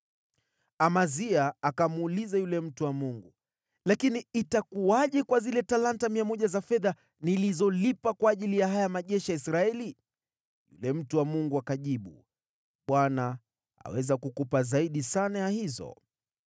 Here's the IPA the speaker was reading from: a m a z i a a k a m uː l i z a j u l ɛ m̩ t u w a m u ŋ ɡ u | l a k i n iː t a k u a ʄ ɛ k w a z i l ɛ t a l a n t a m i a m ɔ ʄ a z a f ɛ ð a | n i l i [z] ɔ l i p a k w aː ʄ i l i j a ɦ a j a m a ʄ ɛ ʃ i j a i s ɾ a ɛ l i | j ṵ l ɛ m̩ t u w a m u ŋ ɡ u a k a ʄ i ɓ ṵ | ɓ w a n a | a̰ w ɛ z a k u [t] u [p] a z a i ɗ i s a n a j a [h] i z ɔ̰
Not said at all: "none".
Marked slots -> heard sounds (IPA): z, k, p, h

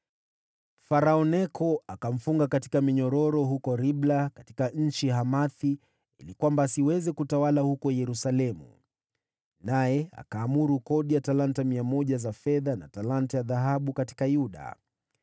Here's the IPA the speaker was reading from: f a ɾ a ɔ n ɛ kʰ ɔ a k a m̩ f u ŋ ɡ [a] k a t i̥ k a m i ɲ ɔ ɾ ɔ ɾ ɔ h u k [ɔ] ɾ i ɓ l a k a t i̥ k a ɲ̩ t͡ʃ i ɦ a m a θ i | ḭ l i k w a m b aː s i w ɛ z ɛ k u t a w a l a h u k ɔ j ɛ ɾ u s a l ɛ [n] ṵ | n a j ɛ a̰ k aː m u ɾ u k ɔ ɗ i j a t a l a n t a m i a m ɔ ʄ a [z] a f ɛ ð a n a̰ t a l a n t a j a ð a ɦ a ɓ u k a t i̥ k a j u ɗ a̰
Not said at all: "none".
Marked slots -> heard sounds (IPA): a, ɔ, m, z

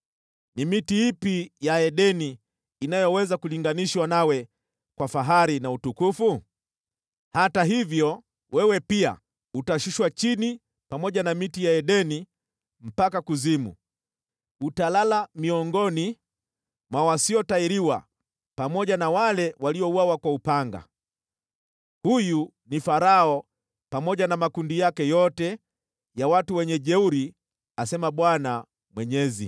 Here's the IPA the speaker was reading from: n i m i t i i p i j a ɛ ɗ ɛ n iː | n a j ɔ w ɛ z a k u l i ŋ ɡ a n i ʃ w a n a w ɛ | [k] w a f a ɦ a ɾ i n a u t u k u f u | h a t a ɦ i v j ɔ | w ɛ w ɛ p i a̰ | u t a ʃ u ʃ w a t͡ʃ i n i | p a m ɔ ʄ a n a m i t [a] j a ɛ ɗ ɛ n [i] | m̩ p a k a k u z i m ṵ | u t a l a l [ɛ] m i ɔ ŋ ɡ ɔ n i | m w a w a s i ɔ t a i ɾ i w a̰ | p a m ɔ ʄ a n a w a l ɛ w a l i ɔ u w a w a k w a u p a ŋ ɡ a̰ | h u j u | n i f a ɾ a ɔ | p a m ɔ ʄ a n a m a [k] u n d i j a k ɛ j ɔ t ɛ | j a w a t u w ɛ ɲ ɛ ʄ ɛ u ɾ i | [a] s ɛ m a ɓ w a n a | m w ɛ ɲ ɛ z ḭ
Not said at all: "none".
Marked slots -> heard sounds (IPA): k, i, i, a, k, a

